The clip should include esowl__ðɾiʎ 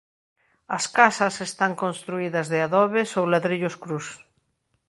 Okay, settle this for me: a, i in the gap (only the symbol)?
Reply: a